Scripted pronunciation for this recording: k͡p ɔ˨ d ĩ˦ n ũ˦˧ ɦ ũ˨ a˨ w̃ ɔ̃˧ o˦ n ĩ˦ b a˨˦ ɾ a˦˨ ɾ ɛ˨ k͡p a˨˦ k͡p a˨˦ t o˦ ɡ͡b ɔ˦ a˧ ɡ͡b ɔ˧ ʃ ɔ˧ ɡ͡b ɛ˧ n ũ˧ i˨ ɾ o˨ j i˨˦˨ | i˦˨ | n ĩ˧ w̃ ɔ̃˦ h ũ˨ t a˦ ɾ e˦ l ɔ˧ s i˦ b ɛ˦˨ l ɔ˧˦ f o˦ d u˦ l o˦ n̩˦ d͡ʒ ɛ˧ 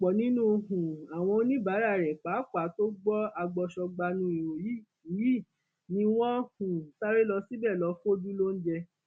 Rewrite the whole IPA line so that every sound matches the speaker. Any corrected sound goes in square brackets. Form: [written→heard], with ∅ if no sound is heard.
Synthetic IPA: k͡p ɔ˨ [d→n] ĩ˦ n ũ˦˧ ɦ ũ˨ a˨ w̃ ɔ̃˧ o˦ n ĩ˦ b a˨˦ ɾ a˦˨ ɾ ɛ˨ k͡p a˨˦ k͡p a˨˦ t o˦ ɡ͡b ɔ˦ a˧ ɡ͡b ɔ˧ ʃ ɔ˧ ɡ͡b [ɛ˧→a˧] n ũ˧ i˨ ɾ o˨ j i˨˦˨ | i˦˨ | n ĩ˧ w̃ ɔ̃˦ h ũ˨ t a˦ ɾ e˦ l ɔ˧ s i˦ b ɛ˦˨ l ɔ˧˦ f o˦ d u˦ l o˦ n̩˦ d͡ʒ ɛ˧